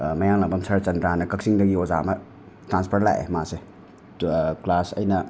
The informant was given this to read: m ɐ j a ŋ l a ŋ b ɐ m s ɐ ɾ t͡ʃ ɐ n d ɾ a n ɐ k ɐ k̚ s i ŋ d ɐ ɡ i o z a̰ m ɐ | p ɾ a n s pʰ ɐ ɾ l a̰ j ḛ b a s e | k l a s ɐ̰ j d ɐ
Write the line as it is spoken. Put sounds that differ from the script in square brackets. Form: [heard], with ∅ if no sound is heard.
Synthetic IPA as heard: m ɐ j a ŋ l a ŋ b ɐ m s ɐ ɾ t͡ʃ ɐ n d ɾ a n ɐ k ɐ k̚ s i ŋ d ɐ ɡ i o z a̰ m ɐ | [t] ɾ a n s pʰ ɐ ɾ l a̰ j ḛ [m] a s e | k l a s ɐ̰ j [n] ɐ